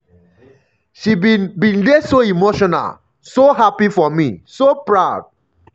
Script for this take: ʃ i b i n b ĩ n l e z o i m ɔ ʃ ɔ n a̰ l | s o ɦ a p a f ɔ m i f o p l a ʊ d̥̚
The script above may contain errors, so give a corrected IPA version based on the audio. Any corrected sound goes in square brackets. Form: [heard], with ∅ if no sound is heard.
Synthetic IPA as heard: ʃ i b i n b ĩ n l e [s] o i m [o] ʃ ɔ n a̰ l | s o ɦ a p [i] f ɔ m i [s] o p [ɹ] a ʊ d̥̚